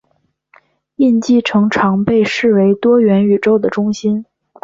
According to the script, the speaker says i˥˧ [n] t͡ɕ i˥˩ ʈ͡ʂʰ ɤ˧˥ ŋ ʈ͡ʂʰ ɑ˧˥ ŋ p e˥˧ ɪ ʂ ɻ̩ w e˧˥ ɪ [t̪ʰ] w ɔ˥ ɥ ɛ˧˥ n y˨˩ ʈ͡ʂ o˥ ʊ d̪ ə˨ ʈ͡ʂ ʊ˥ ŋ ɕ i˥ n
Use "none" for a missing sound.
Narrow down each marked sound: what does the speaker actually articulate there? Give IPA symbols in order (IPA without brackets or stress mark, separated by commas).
n, t̪